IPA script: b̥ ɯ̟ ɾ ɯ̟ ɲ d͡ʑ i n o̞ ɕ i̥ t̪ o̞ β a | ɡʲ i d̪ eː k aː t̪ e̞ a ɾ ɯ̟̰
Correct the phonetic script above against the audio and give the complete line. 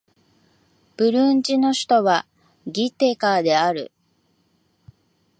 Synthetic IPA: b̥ ɯ̟ ɾ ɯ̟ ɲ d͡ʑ i n o̞ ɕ i̥ t̪ o̞ β a | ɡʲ i t̪ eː k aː d̪ e̞ a ɾ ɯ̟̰

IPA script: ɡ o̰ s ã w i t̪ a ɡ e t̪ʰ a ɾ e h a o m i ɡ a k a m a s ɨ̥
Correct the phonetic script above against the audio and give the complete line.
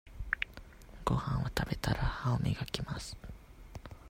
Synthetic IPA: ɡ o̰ h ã w a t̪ a b e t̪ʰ a ɾ a h a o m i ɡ a k i m a s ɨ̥

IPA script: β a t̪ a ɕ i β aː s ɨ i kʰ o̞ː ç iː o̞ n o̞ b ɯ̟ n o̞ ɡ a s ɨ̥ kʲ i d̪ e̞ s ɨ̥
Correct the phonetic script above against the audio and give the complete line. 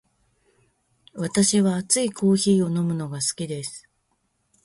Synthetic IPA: β a t̪ a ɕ i β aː t͡s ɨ i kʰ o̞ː ç iː o̞ n o̞ m ɯ̟ n o̞ ɡ a s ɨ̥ kʲ i d̪ e̞ s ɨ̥

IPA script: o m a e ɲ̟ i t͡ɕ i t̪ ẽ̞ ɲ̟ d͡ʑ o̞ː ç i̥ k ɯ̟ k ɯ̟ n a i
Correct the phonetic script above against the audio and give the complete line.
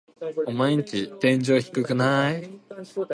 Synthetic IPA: o m a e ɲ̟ i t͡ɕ i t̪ ẽ̞ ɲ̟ d͡ʑ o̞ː ç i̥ k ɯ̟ k ɯ̟ n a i

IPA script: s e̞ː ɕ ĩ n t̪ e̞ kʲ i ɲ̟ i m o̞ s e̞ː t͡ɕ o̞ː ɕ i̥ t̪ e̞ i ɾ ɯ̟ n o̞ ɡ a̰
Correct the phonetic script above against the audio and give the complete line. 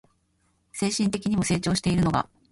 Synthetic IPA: s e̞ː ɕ ĩ n t̪ e̞ kʲ i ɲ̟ i m o̞ s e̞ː t͡ɕ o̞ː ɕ i̥ t̪ e̞ i ɾ ɯ̟ n o̞ ɡ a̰

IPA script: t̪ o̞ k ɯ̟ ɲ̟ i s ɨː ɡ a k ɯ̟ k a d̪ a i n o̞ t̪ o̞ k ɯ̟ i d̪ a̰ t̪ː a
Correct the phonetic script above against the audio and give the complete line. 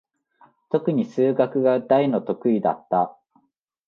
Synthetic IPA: t̪ o̞ k ɯ̟ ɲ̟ i s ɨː ɡ a k ɯ̟ ɡ a d̪ a i n o̞ t̪ o̞ k ɯ̟ i d̪ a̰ t̪ː a

